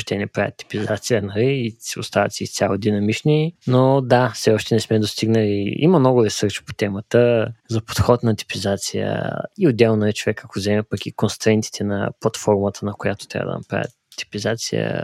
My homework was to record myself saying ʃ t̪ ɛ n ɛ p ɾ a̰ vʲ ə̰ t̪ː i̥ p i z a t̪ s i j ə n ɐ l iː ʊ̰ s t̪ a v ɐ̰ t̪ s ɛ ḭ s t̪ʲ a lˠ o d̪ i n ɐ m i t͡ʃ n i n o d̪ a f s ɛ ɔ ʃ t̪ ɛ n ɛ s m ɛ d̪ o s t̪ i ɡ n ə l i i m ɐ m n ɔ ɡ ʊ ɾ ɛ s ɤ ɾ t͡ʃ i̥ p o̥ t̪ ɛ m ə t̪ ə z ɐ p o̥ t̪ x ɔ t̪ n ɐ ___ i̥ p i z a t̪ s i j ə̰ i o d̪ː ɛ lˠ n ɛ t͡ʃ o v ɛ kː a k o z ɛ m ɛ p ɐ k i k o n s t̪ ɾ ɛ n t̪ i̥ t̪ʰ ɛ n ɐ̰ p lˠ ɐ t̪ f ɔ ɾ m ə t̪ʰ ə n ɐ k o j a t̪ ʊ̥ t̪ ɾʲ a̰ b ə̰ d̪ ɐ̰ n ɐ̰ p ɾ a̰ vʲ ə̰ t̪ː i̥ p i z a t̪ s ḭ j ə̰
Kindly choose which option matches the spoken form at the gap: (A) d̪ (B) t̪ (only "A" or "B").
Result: B